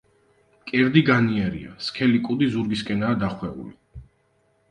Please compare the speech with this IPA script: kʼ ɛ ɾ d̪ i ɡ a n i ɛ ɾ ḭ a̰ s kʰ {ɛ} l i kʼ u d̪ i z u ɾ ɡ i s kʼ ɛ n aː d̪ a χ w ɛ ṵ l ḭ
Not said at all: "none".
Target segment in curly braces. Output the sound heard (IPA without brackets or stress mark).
ɛ